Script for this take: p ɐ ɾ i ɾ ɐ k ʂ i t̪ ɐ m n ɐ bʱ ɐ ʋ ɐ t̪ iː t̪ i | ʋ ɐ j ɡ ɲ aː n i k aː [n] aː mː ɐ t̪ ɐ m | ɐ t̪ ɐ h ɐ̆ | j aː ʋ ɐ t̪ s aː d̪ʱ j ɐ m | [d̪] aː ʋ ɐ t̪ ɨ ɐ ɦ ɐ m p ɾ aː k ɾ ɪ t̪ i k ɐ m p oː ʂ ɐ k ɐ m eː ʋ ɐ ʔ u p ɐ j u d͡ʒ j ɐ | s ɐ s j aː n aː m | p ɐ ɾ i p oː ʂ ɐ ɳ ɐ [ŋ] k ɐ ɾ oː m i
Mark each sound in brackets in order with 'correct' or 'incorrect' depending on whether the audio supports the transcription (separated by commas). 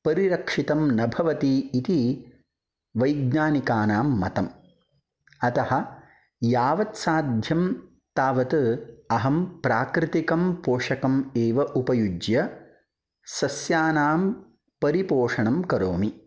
correct, incorrect, incorrect